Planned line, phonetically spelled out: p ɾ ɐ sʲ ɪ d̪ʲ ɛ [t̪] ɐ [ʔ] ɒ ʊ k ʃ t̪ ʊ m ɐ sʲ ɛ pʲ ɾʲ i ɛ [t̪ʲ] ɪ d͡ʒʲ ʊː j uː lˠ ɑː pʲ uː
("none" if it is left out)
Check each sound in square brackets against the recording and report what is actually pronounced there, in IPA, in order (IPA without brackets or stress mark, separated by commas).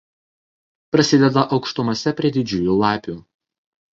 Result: d̪, ʔ, d̪ʲ